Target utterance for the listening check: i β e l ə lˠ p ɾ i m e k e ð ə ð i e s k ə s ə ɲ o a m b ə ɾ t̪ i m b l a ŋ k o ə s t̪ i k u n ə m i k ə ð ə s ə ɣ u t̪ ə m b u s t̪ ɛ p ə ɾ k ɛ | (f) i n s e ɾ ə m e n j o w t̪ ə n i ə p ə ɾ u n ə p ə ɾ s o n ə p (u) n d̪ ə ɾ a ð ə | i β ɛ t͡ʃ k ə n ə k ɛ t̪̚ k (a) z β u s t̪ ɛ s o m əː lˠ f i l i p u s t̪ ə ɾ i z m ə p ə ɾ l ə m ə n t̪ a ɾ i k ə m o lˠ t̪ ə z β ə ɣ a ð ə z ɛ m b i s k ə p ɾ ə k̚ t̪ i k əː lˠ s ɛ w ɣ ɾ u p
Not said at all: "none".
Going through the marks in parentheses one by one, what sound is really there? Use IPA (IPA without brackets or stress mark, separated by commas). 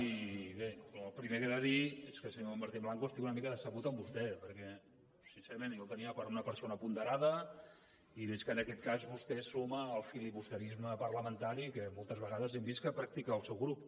s, u, a